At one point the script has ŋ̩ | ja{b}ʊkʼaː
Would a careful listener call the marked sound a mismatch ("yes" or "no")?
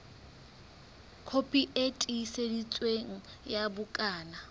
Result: no